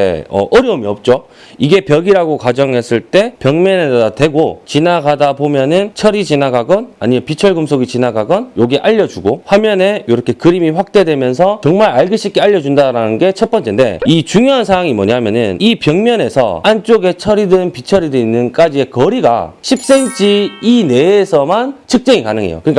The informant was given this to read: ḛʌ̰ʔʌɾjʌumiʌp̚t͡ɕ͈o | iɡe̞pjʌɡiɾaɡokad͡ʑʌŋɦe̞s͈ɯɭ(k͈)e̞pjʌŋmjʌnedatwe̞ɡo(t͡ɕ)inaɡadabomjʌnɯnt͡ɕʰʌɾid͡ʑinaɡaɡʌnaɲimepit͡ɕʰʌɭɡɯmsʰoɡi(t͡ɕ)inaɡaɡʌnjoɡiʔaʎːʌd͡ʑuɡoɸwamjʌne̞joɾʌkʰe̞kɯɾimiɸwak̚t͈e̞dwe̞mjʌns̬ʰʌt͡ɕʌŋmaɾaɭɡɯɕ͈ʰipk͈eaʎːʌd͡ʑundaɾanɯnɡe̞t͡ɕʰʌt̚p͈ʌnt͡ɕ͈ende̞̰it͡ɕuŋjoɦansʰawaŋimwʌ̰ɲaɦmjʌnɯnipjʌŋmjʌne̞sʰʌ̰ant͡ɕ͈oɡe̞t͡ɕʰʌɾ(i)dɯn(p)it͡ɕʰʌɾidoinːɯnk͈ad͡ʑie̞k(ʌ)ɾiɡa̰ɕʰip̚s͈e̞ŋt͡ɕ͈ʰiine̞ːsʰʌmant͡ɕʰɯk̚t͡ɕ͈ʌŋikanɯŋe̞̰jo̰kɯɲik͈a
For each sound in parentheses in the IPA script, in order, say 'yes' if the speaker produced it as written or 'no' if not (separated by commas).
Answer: no, yes, yes, yes, yes, yes